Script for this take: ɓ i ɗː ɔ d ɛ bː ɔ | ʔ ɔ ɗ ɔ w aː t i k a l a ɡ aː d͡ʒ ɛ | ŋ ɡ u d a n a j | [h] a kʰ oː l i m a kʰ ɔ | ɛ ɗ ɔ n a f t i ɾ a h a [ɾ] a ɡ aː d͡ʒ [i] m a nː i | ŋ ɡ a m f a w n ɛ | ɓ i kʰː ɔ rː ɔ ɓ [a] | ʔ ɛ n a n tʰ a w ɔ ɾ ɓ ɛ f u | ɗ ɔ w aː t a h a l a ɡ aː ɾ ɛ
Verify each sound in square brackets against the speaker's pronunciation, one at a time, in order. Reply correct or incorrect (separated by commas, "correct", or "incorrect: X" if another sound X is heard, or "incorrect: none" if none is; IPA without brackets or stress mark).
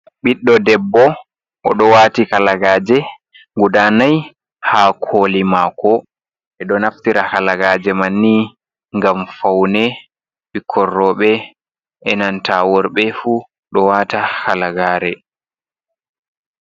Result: correct, incorrect: l, incorrect: ɛ, incorrect: ɛ